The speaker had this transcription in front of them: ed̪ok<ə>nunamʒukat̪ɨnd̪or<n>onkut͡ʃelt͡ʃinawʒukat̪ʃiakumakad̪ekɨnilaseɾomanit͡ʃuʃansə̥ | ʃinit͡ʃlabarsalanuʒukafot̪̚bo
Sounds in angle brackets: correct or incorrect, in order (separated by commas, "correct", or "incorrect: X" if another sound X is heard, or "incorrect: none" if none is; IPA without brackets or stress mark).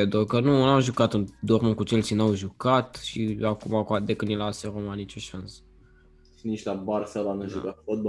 correct, incorrect: m